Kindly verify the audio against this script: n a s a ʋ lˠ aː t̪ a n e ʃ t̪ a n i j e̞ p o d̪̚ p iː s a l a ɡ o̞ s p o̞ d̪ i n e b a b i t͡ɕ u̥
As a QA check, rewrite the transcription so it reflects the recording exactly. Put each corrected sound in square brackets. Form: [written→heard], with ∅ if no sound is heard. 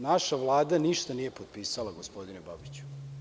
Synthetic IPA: n a [s→ʃ] a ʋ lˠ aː [t̪→d̪] a n [e→i] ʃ t̪ a n i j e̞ p o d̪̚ p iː s a l a ɡ o̞ s p o̞ d̪ i n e b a b i t͡ɕ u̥